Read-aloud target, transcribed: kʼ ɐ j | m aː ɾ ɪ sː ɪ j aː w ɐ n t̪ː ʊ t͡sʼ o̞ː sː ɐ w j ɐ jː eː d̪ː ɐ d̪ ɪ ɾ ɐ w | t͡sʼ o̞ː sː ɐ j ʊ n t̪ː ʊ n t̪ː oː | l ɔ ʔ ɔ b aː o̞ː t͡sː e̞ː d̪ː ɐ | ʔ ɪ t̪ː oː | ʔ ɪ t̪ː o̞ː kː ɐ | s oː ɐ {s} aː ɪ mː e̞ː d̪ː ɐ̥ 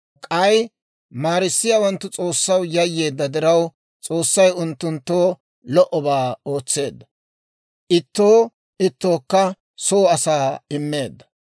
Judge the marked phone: correct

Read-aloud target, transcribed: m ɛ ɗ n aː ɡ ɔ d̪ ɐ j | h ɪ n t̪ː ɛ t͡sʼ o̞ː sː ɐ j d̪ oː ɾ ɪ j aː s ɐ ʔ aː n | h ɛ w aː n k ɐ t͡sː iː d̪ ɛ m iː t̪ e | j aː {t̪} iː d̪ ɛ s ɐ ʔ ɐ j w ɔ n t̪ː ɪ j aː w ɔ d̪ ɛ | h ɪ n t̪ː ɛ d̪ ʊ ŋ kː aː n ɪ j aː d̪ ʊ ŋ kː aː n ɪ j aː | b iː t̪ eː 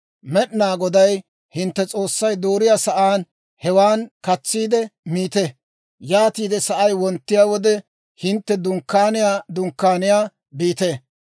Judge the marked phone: correct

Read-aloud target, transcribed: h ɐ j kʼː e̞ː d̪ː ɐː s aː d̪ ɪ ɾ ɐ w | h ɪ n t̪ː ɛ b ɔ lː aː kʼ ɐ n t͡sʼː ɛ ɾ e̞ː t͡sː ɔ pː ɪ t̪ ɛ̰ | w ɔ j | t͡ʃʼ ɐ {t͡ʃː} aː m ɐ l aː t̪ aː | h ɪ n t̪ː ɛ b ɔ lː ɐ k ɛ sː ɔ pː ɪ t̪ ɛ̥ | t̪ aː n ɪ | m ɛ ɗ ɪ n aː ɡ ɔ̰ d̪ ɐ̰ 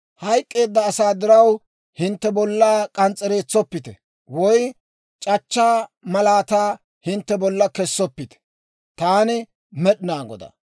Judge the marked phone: correct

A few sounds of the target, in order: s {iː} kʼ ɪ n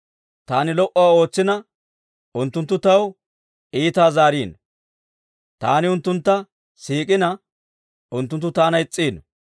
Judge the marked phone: correct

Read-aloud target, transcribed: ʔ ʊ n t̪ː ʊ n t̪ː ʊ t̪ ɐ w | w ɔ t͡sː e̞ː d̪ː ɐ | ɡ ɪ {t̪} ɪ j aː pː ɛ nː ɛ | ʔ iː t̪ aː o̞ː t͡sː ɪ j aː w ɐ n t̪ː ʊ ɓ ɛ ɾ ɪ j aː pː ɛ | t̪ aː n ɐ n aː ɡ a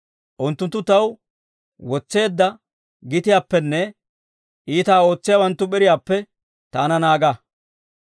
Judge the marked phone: correct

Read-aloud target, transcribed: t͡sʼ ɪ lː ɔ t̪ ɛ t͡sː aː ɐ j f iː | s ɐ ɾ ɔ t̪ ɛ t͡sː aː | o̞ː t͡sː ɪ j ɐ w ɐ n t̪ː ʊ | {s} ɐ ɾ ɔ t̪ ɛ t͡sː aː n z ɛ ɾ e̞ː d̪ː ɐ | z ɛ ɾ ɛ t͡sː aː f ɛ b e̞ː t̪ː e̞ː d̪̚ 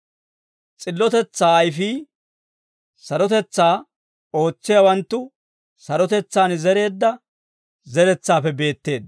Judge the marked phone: correct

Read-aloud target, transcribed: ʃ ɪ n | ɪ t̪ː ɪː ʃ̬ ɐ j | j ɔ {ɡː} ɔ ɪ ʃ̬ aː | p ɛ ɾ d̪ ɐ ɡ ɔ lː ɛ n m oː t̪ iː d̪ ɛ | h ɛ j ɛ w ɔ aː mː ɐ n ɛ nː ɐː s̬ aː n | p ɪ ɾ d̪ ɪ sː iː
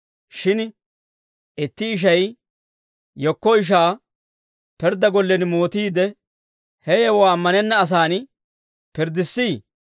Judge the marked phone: incorrect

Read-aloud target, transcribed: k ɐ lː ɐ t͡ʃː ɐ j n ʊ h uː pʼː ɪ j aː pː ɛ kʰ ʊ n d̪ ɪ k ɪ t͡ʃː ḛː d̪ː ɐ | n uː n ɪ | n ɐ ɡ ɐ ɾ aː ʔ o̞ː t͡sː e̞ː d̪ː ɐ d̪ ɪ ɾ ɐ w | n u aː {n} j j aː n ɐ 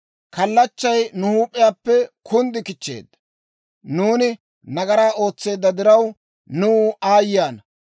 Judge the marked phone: incorrect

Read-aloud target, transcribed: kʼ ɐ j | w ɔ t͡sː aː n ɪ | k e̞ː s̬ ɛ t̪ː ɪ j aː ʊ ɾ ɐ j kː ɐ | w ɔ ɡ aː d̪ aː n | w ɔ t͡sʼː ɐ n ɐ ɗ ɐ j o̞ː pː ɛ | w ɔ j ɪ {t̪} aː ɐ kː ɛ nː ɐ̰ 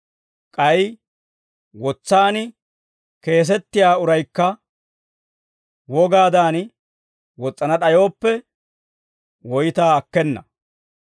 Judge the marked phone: correct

